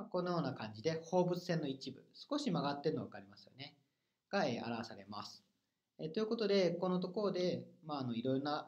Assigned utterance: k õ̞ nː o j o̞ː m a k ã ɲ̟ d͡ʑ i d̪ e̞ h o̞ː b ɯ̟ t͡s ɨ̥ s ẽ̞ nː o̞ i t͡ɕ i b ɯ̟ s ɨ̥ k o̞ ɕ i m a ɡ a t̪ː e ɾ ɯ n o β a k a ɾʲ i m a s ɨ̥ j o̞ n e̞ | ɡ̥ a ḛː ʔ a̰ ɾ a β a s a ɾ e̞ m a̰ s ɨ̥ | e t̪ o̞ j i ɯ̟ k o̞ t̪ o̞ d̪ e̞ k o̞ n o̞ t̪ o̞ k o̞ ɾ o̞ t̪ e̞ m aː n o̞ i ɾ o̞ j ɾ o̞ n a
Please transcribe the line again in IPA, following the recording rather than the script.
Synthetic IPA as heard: k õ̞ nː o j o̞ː n a k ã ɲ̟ d͡ʑ i d̪ e̞ h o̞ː b ɯ̟ t͡s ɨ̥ s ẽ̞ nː o̞ i t͡ɕ i b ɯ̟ s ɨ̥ k o̞ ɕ i m a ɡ a t̪ː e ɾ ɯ n o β a k a ɾʲ i m a s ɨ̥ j o̞ n e̞ | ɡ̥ a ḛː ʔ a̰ ɾ a β a s a ɾ e̞ m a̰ s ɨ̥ | e t̪ o̞ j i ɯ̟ k o̞ t̪ o̞ d̪ e̞ k o̞ n o̞ t̪ o̞ k o̞ ɾ o̞ d̪ e̞ m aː n o̞ i ɾ o̞ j ɾ o̞ n a